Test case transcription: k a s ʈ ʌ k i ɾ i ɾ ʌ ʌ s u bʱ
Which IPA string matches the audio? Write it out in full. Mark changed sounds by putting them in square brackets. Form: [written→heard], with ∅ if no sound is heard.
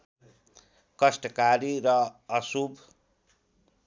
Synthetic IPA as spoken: k [a→ʌ] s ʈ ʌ k [i→a] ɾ i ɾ ʌ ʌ s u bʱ

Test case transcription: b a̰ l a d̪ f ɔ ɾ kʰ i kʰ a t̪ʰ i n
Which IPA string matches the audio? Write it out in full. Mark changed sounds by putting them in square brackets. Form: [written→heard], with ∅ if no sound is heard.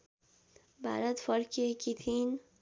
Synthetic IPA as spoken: b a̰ [l→ɾ] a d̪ f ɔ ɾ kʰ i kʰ [a→i] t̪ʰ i n

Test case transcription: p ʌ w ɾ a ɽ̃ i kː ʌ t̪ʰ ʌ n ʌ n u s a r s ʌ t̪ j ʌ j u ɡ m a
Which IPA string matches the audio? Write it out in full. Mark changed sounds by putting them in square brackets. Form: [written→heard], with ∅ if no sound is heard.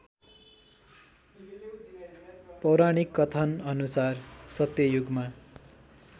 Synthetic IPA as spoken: p ʌ w ɾ a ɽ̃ i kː ʌ t̪ʰ ʌ n ʌ n u s a r s ʌ t̪ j ʌ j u ɡ m a

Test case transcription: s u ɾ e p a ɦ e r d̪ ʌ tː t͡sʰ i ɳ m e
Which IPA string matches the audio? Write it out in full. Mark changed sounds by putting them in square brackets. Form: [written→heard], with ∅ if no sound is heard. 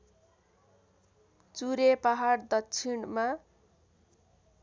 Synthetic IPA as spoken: [s→t͡s] u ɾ e p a ɦ [e→a] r d̪ ʌ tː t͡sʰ i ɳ m [e→a]

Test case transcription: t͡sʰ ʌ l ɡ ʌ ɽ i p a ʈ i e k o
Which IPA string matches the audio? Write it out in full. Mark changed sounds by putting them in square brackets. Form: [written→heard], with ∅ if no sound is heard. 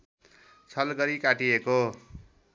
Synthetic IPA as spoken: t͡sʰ ʌ l ɡ ʌ [ɽ→ɾ] i [p→k] a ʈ i e k o

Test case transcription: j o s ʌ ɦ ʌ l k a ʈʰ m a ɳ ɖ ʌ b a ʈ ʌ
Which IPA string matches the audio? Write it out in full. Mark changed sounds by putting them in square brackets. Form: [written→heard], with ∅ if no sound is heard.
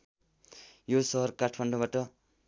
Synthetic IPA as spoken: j o s ʌ ɦ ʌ [l→r] k a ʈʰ m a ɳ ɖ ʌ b a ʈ ʌ

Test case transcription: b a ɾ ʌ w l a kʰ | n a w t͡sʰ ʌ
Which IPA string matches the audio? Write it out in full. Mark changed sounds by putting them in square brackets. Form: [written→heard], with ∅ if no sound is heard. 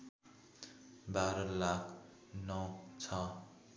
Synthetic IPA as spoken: b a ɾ ʌ [w→∅] l a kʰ | n [a→ʌ] w t͡sʰ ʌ

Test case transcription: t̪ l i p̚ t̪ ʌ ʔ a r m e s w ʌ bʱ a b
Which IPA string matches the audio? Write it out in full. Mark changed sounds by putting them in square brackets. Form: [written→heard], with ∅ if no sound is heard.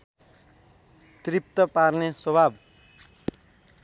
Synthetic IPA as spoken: t̪ [l→r] i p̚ t̪ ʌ [ʔ→p] a r [m→n] e s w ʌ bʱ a b

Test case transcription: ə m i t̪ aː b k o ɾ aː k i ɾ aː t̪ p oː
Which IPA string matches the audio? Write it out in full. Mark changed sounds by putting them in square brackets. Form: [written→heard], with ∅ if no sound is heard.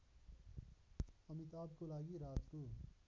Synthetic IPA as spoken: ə m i t̪ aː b k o [ɾ→l] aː [k→ɡ] i ɾ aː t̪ [p→k] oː

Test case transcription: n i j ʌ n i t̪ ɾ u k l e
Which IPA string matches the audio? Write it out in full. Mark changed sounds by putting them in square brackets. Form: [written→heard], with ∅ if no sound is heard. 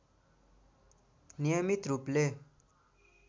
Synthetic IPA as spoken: n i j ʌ [n→m] i t̪ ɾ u [k→p] l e

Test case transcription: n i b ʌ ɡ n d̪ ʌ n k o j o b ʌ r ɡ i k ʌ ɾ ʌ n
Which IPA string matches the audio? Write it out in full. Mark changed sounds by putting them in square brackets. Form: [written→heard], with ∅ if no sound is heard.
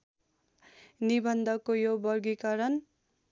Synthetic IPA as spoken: n i b ʌ [ɡ→∅] n d̪ ʌ [n→∅] k o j o b ʌ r ɡ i k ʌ ɾ ʌ n

